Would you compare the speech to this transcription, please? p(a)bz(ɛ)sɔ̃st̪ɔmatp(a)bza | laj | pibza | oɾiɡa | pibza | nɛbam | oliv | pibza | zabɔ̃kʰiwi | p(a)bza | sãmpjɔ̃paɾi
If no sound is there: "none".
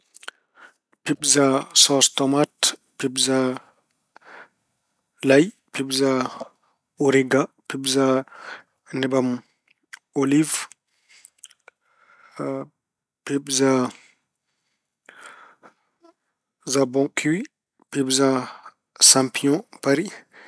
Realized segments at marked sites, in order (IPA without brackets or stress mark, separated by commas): i, a, i, i